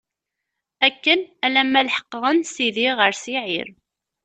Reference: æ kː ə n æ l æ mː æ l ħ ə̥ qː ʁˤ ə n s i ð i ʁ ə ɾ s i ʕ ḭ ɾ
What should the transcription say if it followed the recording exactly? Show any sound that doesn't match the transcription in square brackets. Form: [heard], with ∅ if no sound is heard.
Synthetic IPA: æ kː ə n æ l æ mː æ l ħ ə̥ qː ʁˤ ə n s i ð i ʁ ə ɾ s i ʕ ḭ ɾ